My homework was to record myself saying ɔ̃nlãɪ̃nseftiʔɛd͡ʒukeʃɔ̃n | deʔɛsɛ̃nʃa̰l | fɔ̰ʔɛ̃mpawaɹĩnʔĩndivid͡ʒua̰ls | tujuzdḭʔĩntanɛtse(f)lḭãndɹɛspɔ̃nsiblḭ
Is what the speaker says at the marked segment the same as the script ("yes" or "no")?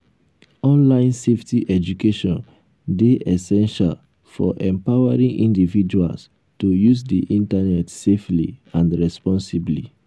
yes